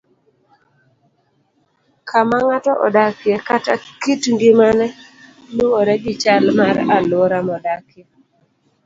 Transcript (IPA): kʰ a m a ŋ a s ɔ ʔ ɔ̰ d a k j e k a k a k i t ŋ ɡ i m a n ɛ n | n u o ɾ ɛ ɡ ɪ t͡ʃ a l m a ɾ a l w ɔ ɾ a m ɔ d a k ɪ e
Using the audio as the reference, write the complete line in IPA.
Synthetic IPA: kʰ a m a ŋ a t ɔ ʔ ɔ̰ d a k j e k a t a k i t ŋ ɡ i m a n ɛ | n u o ɾ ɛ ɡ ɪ t͡ʃ a l m a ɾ a l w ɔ ɾ a m ɔ d a k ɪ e

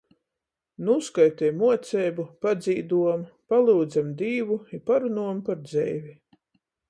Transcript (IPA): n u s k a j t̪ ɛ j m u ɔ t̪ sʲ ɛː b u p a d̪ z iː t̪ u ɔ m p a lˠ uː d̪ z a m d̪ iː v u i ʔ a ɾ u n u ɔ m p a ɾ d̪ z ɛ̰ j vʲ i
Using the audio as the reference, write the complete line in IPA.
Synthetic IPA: n u s k a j t̪ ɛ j m u ɔ t̪ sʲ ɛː b u p a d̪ z iː d̪ u ɔ m p a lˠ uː d̪ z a m d̪ iː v u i p a ɾ u n u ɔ m p a ɾ d̪ z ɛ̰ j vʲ i

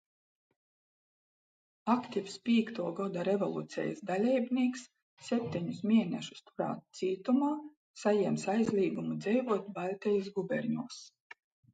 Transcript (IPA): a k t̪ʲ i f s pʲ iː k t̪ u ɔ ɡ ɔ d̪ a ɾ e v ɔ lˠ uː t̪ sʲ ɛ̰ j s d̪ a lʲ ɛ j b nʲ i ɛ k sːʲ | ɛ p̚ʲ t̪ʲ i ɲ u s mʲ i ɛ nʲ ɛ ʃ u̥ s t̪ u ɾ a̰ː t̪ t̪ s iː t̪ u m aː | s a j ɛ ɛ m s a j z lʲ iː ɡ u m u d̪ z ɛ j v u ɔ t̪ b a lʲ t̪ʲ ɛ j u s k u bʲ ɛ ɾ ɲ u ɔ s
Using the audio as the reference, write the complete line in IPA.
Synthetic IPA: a k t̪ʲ i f s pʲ iː k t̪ u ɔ ɡ ɔ d̪ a ɾ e v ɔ lˠ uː t̪ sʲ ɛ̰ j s d̪ a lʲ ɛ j b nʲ i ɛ k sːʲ | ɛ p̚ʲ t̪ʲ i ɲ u s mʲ i ɛ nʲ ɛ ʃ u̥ s t̪ u ɾ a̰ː t̪ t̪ s iː t̪ u m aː | s a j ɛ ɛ m s a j z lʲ iː ɡ u m u d̪ z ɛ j v u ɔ t̪ b a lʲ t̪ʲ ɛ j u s ɡ u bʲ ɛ ɾ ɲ u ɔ s

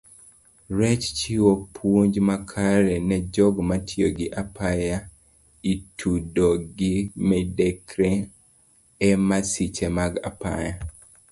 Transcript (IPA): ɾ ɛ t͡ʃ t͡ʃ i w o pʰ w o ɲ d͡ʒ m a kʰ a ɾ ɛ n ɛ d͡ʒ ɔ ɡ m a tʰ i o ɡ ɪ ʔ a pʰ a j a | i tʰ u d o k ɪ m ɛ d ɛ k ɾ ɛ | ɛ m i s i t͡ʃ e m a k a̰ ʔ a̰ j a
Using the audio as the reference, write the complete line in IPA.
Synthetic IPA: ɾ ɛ t͡ʃ t͡ʃ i w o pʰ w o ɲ d͡ʒ m a kʰ a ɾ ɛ n ɛ d͡ʒ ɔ ɡ m a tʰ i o ɡ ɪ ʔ a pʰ a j a | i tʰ u d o ɡ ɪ m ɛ d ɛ k ɾ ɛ | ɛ m a s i t͡ʃ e m a ɡ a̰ p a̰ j a

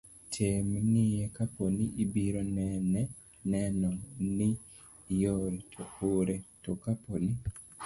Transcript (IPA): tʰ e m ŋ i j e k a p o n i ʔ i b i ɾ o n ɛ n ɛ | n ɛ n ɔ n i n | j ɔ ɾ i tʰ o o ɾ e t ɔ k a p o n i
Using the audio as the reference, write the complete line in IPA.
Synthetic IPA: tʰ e m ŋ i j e k a p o n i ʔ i b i ɾ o n ɛ n ɛ | n ɛ n ɔ n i | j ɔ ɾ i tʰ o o ɾ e t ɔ k a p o n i

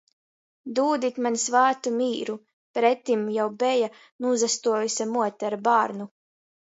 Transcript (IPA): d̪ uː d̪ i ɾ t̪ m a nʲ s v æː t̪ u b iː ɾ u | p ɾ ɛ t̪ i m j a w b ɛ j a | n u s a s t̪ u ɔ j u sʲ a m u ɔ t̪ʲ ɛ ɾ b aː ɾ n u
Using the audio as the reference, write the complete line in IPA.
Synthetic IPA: d̪ uː d̪ i t̪ m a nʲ s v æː t̪ u m iː ɾ u | p ɾ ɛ t̪ i m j a w b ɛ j a | n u z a s t̪ u ɔ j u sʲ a m u ɔ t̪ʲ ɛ ɾ b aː ɾ n u

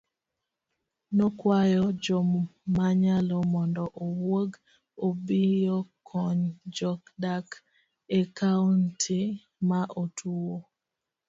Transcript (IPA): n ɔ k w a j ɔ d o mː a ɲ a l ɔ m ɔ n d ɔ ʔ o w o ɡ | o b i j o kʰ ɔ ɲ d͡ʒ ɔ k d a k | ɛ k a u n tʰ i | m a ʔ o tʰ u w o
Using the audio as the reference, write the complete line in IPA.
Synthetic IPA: n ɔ k w a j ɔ d͡ʒ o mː a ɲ a l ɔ m ɔ n d ɔ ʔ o w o ɡ | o b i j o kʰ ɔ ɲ d͡ʒ ɔ k d a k | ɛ k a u n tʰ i | m a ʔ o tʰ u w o

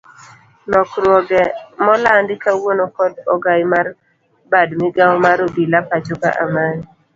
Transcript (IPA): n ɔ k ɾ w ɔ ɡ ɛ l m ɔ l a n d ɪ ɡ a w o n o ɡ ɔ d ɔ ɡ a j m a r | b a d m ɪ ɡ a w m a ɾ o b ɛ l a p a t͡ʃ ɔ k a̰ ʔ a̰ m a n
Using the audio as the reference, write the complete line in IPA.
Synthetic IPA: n ɔ k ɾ w ɔ ɡ ɛ m ɔ l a n d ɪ k a w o n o k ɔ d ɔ ɡ a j m a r | b a d m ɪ ɡ a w m a ɾ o b i l a p a t͡ʃ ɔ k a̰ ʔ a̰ m a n

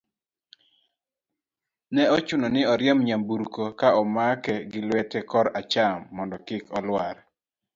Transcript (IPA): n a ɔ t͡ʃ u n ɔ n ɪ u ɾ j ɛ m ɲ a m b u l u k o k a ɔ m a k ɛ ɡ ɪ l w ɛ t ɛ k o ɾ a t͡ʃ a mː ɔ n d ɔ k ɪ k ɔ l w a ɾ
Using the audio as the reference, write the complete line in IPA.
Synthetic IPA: n ɛ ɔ t͡ʃ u n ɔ n ɪ ɔ ɾ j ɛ m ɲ a m b u ɾ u k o k a ɔ m a k ɛ ɡ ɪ l w ɛ t ɛ k ɔ ɾ a t͡ʃ a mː ɔ n d ɔ k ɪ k ɔ l w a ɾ

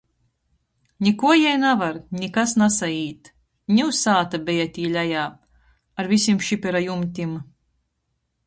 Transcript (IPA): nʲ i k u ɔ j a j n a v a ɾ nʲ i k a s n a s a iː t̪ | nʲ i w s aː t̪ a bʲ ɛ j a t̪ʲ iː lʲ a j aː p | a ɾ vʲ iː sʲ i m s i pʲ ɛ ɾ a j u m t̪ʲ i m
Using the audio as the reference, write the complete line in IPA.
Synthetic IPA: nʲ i k u ɔ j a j n a v a ɾ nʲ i k a s n a s a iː t̪ | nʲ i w s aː t̪ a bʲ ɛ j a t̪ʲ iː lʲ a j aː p | a ɾ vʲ i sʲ i m ʃ i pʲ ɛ ɾ a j u m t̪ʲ i m

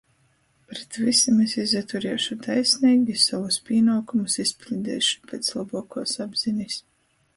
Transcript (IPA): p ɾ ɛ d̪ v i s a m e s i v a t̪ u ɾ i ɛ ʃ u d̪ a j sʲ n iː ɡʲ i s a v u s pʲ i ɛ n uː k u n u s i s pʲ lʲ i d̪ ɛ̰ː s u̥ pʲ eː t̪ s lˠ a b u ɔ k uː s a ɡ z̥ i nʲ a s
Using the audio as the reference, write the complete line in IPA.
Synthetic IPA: p ɾ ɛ t̪ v i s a m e s i z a t̪ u ɾ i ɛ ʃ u t̪ a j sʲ n iː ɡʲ i s a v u s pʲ i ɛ n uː k u m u s i s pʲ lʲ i d̪ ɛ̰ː ʃ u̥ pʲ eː t̪ s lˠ a b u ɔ k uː s a b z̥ i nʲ i s

